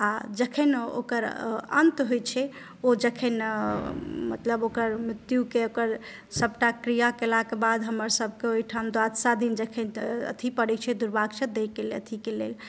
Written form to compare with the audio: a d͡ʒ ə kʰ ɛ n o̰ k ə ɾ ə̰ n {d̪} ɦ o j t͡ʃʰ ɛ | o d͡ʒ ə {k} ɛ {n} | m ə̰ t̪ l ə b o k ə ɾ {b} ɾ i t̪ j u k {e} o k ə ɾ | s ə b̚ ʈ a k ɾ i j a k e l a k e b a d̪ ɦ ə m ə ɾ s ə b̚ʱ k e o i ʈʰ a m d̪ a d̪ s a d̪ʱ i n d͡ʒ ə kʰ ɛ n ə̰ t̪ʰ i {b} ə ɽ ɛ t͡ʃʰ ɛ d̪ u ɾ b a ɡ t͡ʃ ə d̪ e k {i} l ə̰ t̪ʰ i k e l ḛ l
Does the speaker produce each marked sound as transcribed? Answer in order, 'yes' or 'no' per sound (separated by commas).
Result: no, no, yes, no, yes, no, no